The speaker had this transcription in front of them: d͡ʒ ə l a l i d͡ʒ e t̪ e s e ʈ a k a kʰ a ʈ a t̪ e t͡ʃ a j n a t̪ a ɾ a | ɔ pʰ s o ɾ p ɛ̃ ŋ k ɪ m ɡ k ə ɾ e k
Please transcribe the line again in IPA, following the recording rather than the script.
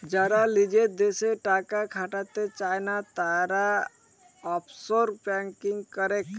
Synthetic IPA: d͡ʒ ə ɾ a l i d͡ʒ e d̪ e s e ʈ a k a kʰ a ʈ a t̪ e t͡ʃ a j n a t̪ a ɾ a | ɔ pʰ s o ɾ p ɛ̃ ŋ k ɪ ŋ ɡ k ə ɾ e k

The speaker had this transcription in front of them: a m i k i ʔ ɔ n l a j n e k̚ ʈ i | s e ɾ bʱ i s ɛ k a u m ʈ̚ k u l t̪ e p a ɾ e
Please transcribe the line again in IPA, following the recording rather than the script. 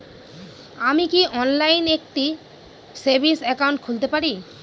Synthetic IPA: a m i k i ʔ ɔ n l a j n e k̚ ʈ i | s e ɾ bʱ i s ɛ k a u ɳ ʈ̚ kʰ u l t̪ e p a ɾ i

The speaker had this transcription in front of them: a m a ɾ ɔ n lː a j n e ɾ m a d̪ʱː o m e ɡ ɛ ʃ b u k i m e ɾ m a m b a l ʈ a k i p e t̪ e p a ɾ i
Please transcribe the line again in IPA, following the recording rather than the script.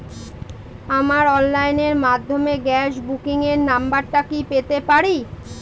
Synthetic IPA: a m a ɾ ɔ n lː a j n e ɾ m a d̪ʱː o m e ɡ ɛ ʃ b u k i ŋ e ɾ n a m b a ɾ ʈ a k i p e t̪ e p a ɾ i

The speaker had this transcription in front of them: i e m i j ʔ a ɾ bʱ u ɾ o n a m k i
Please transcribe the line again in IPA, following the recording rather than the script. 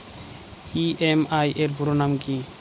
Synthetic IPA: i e m a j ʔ e ɾ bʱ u ɾ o n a m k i

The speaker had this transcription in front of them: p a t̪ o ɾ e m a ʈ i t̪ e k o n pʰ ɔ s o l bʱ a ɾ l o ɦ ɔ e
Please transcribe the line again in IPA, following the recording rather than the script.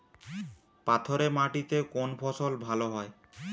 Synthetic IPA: p a t̪ʰ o ɾ e m a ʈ i t̪ e k o n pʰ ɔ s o l bʱ a l o ɦ ɔ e

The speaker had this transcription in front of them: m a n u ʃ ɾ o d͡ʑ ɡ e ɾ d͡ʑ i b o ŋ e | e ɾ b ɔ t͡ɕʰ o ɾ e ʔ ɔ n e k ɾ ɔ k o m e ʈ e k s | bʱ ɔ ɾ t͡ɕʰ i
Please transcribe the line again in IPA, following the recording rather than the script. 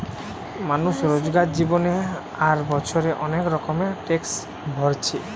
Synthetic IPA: m a n u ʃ ɾ o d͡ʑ ɡ a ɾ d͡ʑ i b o n e | a ɾ b ɔ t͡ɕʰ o ɾ e ʔ ɔ n e k ɾ ɔ k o m e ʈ e k s | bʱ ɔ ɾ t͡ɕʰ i

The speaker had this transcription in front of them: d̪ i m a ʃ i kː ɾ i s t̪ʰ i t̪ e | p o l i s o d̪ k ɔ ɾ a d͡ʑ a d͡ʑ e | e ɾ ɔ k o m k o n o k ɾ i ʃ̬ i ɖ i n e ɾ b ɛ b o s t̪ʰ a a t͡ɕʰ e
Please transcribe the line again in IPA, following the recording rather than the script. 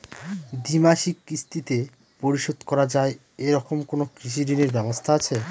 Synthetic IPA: d̪ i m a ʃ i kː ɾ i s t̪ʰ i t̪ e | p o ɾ i ʃ o d̪ k ɔ ɾ a d͡ʑ a e | e ɾ ɔ k o m k o n o k ɾ i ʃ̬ i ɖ i n e ɾ b ɛ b o s t̪ʰ a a t͡ɕʰ e

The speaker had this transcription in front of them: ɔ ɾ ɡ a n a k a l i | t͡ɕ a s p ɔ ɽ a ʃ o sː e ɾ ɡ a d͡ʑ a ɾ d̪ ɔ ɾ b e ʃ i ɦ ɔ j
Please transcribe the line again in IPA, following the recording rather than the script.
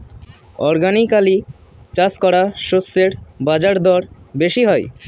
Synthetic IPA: ɔ ɾ ɡ a n i k a l i | t͡ɕ a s k ɔ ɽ a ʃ o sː e ɾ b a d͡ʑ a ɾ d̪ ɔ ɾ b e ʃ i ɦ ɔ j

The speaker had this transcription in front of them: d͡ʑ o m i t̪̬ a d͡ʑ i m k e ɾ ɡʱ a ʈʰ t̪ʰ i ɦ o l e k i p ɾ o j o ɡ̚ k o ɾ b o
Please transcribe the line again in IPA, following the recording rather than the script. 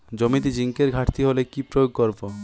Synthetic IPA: d͡ʑ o m i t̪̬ i d͡ʑ i ŋ k e ɾ ɡʱ a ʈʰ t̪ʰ i ɦ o l e k i p ɾ o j o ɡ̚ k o ɾ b o

